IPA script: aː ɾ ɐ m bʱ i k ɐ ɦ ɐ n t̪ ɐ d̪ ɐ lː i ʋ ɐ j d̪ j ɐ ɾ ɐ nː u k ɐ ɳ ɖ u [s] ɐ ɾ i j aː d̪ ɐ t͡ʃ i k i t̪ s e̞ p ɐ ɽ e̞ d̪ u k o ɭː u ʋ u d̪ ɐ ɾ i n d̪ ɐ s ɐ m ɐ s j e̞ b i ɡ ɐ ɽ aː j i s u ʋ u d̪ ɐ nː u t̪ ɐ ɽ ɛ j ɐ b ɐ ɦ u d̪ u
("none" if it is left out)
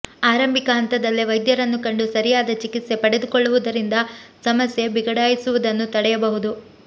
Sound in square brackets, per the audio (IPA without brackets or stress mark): s